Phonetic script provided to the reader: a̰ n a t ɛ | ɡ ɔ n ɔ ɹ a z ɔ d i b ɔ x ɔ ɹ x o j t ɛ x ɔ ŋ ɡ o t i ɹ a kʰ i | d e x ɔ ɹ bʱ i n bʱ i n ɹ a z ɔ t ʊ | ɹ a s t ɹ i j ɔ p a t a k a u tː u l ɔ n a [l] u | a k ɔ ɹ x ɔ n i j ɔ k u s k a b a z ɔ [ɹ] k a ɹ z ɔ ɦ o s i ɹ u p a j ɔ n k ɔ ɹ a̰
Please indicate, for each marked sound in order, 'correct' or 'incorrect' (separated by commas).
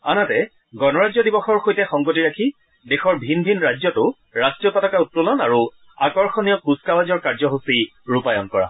incorrect, correct